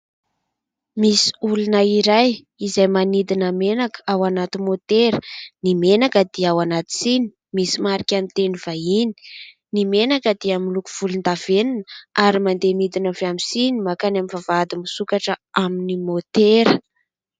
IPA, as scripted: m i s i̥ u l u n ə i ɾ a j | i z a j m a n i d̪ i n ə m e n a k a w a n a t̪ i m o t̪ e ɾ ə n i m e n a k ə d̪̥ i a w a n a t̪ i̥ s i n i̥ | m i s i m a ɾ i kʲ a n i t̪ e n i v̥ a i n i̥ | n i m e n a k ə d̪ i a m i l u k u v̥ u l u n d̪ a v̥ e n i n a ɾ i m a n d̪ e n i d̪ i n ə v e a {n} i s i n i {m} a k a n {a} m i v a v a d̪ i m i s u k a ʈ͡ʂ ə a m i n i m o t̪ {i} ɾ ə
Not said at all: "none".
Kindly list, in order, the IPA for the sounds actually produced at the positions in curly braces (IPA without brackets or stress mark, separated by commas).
m, m, a, e